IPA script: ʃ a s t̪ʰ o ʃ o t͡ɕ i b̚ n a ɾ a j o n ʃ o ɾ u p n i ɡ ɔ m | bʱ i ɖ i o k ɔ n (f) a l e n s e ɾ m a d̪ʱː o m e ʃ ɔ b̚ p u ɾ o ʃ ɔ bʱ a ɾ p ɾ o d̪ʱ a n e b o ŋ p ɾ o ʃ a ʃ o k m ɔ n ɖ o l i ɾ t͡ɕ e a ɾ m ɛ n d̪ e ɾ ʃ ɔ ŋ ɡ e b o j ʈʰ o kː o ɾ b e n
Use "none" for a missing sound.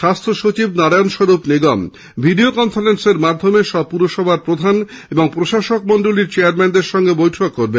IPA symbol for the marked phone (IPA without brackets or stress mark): f